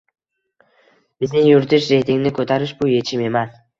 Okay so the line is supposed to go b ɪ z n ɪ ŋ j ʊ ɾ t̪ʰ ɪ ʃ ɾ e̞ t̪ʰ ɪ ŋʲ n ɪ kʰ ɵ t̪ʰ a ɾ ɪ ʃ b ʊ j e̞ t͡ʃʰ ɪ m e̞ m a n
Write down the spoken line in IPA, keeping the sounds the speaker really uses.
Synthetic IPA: b ɪ z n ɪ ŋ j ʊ ɾ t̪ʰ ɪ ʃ ɾ e̞ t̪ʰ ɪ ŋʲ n ɪ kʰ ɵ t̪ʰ a ɾ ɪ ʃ b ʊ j e̞ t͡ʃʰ ɪ m e̞ m a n